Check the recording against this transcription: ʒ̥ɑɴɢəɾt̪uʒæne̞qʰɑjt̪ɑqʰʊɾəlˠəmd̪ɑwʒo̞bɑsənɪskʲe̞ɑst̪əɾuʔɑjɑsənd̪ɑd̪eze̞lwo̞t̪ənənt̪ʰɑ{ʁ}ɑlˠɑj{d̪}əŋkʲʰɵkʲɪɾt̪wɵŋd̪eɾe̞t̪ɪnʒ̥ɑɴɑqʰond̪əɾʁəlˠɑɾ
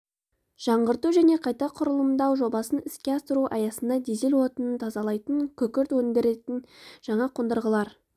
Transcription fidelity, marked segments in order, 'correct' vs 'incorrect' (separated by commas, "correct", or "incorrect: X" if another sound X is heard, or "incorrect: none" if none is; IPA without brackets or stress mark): incorrect: z, incorrect: t̪